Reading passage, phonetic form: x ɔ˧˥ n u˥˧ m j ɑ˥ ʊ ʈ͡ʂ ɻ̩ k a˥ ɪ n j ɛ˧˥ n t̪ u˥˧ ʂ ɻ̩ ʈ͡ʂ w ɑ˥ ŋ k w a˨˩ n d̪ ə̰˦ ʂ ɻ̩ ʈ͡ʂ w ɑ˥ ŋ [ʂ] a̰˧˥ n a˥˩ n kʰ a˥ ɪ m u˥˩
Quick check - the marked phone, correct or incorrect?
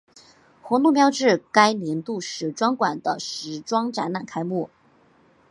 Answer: incorrect